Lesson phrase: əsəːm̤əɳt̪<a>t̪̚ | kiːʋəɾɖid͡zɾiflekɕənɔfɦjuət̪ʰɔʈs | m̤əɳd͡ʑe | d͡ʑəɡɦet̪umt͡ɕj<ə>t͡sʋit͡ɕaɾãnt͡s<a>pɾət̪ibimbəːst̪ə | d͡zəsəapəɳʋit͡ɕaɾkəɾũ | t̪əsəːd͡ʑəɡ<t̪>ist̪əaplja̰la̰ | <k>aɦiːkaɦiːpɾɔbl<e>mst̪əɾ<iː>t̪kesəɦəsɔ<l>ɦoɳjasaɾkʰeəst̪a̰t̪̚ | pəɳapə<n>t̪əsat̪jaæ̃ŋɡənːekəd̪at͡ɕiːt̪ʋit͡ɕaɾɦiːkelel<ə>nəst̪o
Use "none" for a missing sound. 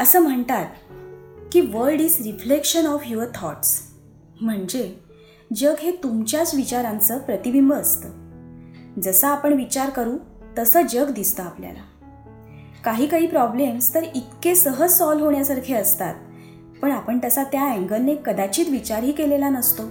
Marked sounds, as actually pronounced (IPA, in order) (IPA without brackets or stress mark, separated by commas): a, a, ə, d̪, k, e, i, l, ɳ, a